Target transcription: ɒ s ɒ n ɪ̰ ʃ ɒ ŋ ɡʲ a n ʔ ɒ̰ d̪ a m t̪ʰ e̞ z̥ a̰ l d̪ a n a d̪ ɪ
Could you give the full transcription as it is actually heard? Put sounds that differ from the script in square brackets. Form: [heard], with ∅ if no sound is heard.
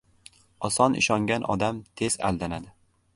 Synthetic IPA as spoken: ɒ s ɒ n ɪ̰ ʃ ɒ ŋ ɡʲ a n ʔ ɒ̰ d̪ a m t̪ʰ e̞ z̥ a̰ l d̪ a n a d̪ ɪ